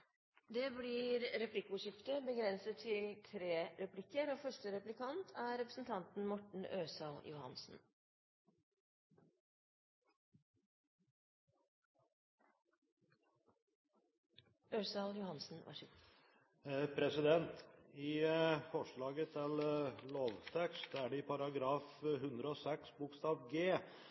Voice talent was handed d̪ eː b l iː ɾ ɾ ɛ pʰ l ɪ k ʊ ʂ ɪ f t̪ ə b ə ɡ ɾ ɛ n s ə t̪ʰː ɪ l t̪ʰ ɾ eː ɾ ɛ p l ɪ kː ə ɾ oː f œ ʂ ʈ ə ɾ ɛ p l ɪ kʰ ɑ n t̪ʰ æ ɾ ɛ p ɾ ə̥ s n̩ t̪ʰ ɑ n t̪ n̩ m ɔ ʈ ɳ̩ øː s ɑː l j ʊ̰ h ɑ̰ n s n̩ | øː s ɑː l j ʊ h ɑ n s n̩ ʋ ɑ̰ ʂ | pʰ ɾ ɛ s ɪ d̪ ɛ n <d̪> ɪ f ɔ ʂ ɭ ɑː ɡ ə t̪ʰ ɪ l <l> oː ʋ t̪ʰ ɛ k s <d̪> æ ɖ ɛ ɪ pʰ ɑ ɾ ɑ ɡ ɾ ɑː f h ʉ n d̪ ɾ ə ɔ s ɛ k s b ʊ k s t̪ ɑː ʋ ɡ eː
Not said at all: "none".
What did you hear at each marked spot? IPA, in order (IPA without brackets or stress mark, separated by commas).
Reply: t̪, l, t̪